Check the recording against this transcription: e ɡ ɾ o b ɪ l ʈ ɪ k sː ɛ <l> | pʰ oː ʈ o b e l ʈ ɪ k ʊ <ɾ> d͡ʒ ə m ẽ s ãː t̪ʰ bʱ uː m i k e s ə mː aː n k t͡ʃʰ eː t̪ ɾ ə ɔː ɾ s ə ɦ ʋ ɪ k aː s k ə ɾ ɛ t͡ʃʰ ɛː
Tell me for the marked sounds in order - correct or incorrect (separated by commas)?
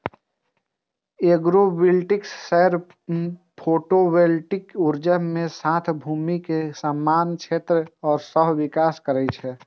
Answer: incorrect, correct